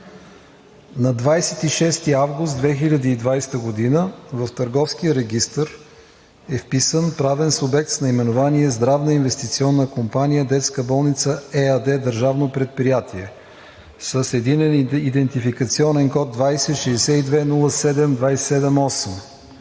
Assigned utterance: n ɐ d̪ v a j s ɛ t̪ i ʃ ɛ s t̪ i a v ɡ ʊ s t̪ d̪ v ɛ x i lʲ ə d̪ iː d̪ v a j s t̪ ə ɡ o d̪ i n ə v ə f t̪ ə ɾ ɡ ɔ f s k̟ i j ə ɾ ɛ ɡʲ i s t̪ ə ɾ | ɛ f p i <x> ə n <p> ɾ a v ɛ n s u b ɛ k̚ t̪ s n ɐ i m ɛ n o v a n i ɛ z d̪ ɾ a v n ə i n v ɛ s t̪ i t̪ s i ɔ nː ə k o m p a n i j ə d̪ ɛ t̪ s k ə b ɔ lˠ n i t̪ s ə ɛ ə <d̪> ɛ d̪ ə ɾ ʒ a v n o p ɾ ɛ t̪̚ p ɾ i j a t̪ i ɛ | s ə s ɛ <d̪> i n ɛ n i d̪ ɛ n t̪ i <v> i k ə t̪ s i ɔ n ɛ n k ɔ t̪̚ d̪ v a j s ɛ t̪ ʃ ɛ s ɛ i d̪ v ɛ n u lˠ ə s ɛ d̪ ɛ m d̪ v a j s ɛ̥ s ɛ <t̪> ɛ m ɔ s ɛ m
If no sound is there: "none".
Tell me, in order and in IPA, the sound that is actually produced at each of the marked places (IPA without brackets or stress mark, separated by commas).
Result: s, p, d̪, d̪, f, d̪